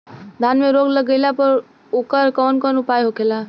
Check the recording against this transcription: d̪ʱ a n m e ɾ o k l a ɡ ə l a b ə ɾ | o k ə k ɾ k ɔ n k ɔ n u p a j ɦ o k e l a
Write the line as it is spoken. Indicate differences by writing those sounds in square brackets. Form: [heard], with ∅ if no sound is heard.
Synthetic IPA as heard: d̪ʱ a n m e ɾ o [ɡ] l [ə] ɡ ə l a [p] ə ɾ | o k ə [∅] ɾ k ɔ n k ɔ n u p a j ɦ o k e l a